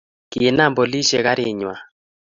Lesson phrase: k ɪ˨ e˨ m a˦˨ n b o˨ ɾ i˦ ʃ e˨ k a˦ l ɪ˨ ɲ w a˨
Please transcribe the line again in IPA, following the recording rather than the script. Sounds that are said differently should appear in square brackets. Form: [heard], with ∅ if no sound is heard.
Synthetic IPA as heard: k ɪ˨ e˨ [n] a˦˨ [m] b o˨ [l] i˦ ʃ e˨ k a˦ [ɾ] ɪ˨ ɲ w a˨